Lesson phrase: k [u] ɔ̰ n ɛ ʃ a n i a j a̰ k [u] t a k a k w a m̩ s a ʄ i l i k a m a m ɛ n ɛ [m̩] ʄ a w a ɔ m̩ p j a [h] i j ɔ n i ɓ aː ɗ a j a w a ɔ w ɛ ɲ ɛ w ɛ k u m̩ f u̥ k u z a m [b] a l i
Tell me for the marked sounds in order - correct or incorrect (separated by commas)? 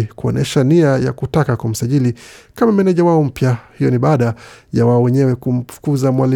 correct, correct, incorrect, correct, incorrect